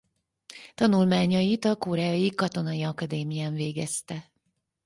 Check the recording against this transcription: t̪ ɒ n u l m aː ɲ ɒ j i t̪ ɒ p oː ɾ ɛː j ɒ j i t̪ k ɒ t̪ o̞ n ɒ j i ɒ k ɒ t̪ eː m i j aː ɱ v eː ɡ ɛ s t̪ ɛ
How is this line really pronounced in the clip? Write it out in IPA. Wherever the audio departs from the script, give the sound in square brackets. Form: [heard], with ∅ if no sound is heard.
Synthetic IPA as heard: t̪ ɒ n u l m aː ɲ ɒ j i t̪ ɒ [k] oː ɾ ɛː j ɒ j i [∅] k ɒ t̪ o̞ n ɒ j i ɒ k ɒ [d̪] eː m i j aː ɱ v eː ɡ ɛ s t̪ ɛ